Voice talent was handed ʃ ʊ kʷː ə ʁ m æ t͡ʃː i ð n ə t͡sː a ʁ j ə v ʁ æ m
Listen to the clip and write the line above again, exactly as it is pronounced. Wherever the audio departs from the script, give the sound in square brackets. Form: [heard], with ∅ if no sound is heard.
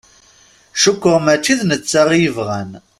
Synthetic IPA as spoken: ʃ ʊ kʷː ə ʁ m æ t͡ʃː i ð n ə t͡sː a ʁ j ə v ʁ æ [n]